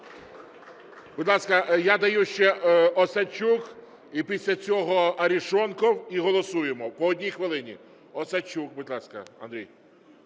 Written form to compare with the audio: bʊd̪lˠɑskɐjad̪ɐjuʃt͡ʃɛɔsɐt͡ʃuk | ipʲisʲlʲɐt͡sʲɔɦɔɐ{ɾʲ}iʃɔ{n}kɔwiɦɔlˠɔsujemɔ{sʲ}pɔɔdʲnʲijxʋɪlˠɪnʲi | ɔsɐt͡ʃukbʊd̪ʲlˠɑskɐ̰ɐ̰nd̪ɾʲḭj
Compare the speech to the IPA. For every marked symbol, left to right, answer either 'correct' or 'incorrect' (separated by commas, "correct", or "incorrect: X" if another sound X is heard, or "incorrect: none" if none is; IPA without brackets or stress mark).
correct, correct, incorrect: none